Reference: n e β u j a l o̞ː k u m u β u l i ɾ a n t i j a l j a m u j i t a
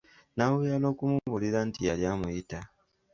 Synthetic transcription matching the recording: n a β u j a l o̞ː k u m u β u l i ɾ a n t i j a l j a m u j i t a

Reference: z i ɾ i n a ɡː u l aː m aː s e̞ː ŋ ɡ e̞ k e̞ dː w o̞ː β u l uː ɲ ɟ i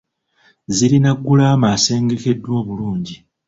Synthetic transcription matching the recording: z i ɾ i n a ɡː u l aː m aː s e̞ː ŋ ɡ e̞ k e̞ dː w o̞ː β u l uː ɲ ɟ i

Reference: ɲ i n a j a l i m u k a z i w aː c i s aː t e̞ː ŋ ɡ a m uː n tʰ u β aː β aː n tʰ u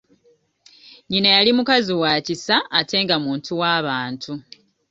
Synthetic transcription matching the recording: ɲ i n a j a l i m u k a z i w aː c i s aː t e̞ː ŋ ɡ a m uː n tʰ u w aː β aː n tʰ u

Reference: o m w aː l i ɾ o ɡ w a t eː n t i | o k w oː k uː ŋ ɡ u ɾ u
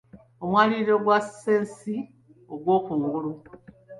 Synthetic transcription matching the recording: o m w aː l i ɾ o ɡ w a s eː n s i | o ɡ w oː k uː ŋ ɡ u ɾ u

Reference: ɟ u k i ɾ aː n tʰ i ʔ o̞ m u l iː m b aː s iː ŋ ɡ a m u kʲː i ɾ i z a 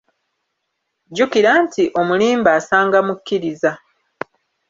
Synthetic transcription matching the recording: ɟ u k i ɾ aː n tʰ i ʔ o̞ m u l iː m b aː s aː ŋ ɡ a m u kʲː i ɾ i z a

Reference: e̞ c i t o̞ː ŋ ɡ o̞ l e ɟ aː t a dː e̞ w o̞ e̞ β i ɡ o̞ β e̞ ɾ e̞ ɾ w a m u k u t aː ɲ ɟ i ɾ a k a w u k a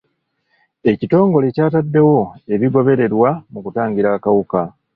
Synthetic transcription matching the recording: e̞ c i t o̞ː ŋ ɡ o̞ l e c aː t a dː e̞ w o̞ e̞ β i ɡ o̞ β e̞ ɾ e̞ ɾ w a m u k u t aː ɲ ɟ i ɾ a k a w u k a

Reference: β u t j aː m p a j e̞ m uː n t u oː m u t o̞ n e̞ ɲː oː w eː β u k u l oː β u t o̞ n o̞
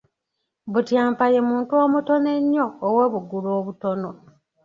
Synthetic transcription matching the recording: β u t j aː m p a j e̞ m uː n t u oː m u t o̞ n e̞ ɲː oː w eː β u ɡ u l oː β u t o̞ n o̞

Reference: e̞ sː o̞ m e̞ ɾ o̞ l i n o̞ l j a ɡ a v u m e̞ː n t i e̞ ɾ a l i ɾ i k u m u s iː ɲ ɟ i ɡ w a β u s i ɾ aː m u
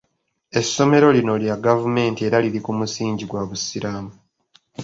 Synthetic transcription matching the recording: e̞ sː o̞ m e̞ ɾ o̞ l i n o̞ l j a ɡ a v u m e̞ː n t i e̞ ɾ a l i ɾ i k u m u s iː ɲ ɟ i ɡ w a β u s i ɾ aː m u

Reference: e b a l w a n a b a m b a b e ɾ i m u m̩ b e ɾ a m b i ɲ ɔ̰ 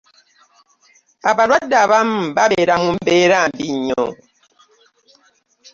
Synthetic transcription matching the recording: a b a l w a d a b a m b a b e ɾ a m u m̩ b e ɾ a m b i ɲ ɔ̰

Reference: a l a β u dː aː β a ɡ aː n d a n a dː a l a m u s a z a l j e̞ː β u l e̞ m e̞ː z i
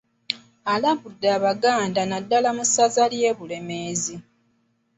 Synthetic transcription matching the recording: a l a β u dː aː β a ɡ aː n d a n a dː a l a m u s a z a l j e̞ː β u l e̞ m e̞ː z i

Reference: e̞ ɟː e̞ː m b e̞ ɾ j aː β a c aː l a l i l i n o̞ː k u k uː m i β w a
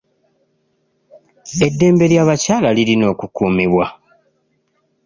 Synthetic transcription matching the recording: e̞ dː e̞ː m b e̞ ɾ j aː β a c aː l a l i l i n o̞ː k u k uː m i β w a

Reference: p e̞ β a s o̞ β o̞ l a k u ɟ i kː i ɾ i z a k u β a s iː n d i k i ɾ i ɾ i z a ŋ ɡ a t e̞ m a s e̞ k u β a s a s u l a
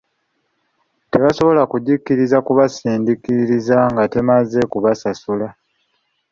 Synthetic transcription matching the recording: t e̞ β a s o̞ β o̞ l a k u ɟ i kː i ɾ i z a k u β a s iː n d i k i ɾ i ɾ i z a ŋ ɡ a t e̞ m a z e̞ k u β a s a s u l a

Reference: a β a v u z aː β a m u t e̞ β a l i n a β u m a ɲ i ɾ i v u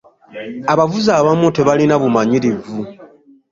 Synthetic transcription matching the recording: a β a v u z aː β a m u t e̞ β a l i n a β u m a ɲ i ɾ i v u

